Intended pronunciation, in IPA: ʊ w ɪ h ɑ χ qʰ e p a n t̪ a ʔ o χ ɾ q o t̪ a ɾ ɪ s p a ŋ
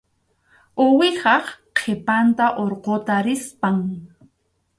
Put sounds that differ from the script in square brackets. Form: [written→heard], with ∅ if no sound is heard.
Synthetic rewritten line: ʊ w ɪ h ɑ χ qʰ e p a n t̪ a ʔ o [χ→∅] ɾ q o t̪ a ɾ ɪ s p a ŋ